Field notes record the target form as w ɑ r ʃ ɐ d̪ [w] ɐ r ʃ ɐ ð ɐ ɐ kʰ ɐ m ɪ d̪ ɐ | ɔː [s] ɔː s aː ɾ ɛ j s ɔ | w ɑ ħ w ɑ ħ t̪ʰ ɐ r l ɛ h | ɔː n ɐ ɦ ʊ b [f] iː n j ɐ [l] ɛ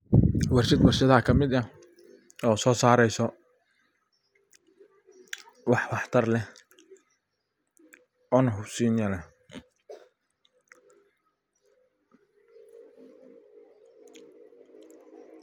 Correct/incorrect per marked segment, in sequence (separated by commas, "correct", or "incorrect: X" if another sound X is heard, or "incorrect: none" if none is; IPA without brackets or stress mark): correct, correct, incorrect: s, correct